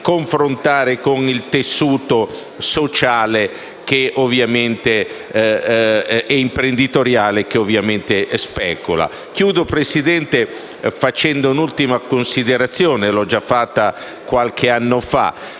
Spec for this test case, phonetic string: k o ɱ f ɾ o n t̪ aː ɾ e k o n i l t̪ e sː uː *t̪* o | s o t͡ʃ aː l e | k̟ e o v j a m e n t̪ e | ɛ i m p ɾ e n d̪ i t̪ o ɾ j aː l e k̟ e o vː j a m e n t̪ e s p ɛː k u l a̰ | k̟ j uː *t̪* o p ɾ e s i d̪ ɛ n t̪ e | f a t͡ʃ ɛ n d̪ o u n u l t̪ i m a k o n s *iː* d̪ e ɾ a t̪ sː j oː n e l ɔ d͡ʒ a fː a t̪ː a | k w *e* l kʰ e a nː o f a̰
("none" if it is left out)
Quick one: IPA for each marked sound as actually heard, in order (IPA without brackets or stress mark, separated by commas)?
t̪, d̪, i, a